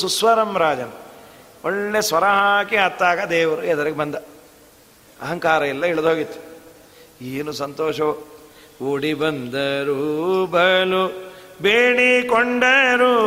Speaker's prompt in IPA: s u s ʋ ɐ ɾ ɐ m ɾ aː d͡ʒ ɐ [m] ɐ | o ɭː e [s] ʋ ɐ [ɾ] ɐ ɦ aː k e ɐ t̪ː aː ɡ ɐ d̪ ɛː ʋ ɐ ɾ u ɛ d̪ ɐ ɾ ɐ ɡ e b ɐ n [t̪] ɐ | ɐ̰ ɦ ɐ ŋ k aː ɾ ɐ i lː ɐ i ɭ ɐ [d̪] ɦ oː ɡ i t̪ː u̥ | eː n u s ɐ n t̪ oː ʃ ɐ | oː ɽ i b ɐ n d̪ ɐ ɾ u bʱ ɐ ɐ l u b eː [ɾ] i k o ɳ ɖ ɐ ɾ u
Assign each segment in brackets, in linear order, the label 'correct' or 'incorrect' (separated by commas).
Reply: incorrect, correct, correct, incorrect, correct, incorrect